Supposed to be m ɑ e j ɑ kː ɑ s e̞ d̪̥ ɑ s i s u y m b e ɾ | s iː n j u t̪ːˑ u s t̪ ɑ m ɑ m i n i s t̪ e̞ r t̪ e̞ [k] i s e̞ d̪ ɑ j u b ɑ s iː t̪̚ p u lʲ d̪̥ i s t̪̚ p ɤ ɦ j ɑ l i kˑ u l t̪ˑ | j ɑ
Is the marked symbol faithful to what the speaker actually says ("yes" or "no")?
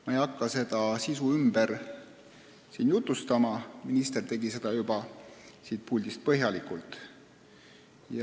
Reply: no